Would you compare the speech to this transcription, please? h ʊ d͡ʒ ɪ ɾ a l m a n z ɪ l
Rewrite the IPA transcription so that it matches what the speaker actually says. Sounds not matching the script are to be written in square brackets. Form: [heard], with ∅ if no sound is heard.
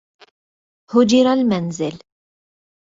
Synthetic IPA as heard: h ʊ d͡ʒ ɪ ɾ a l m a n z ɪ l